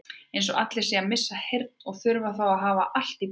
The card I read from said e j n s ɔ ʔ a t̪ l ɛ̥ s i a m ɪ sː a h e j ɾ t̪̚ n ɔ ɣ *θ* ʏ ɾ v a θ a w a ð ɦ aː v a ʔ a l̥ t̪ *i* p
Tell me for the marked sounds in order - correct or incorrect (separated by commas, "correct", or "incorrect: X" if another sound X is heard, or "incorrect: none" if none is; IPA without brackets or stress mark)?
correct, correct